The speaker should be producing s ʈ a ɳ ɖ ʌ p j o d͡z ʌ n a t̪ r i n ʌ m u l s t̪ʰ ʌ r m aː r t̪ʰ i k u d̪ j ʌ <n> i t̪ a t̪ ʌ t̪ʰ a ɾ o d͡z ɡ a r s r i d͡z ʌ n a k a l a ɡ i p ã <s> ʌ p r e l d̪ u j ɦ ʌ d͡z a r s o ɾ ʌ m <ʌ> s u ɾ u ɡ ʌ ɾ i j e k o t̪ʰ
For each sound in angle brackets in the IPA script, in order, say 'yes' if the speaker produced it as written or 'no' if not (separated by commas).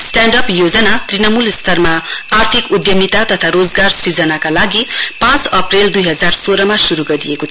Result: no, no, no